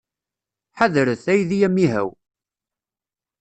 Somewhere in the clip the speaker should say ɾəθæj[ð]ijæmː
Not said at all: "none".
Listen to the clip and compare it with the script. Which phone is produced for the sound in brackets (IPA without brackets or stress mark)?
ð